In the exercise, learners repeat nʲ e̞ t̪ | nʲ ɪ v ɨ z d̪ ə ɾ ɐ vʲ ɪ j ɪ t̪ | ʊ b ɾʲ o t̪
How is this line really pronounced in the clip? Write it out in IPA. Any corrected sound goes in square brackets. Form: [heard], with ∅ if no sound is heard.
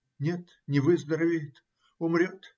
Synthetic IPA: nʲ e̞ t̪ | nʲ ɪ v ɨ z d̪ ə ɾ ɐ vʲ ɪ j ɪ t̪ | ʊ [m] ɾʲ o t̪

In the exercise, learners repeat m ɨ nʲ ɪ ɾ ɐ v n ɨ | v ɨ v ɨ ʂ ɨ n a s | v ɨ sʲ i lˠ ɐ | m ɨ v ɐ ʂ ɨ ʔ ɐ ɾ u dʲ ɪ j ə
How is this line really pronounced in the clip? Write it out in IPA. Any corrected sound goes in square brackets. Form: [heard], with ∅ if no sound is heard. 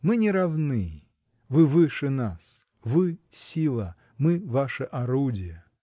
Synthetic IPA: m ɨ nʲ ɪ ɾ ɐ v n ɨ | v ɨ v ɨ ʂ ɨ n a s | v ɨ sʲ i lˠ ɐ | m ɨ v [a] ʂ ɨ ʔ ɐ ɾ u dʲ ɪ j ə

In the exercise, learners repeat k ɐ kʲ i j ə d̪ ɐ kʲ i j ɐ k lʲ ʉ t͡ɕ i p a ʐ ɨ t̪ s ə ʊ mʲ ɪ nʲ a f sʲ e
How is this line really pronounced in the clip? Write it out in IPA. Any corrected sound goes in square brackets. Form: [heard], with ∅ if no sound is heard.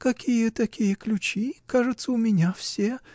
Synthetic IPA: k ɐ kʲ i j ə [t̪] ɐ kʲ i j [ə] k lʲ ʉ t͡ɕ i [k] a ʐ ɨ t̪ s ə ʊ mʲ ɪ nʲ a f sʲ e

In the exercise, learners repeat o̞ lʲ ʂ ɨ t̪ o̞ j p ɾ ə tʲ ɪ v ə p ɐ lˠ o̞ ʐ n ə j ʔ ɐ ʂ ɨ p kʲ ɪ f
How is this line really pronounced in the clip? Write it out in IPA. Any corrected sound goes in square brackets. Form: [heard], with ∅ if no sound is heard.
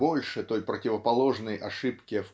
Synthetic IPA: o̞ lʲ ʂ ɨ t̪ o̞ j p ɾ ə tʲ ɪ v ə p ɐ lˠ o̞ ʐ n ə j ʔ ɐ ʂ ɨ p kʲ ɪ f

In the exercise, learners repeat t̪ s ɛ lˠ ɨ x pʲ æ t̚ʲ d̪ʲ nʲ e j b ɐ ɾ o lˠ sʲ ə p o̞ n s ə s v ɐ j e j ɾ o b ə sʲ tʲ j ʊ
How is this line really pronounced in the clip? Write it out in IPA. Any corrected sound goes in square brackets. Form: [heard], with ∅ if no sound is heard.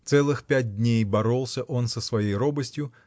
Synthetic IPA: t̪ s ɛ lˠ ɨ x pʲ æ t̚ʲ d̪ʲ nʲ e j b ɐ ɾ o lˠ sʲ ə [ʔ] o̞ n s ə s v ɐ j e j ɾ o b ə sʲ tʲ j ʊ

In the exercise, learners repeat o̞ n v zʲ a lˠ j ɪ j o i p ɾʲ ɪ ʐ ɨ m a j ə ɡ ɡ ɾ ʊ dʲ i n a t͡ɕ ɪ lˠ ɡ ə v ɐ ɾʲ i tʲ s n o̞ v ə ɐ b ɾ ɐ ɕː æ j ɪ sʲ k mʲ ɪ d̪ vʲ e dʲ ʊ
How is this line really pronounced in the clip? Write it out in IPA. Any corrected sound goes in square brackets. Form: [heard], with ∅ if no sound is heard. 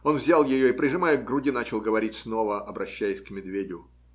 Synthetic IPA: o̞ n v zʲ a lˠ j ɪ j o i p ɾʲ ɪ ʐ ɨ m a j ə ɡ ɡ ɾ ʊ dʲ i n a t͡ɕ ɪ lˠ ɡ ə v ɐ ɾʲ i tʲ s n o̞ v ə ɐ b ɾ ɐ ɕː æ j ɪ sʲ k mʲ ɪ d̪ vʲ e dʲ ʊ

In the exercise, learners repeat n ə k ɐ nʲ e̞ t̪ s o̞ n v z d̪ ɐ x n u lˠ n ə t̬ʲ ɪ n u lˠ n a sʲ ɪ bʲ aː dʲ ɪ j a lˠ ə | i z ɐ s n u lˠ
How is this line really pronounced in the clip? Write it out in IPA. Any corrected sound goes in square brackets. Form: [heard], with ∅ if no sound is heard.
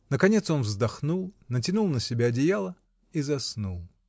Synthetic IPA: n ə k ɐ nʲ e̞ t̪ s o̞ n v z d̪ ɐ x n u lˠ n ə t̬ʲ ɪ n u lˠ n [ə] sʲ ɪ bʲ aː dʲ ɪ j a lˠ ə | i z ɐ s n u lˠ

